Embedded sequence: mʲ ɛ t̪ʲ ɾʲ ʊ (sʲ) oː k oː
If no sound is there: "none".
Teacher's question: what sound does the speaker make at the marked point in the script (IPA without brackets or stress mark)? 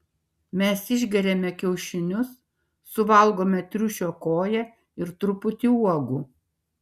ʃʲ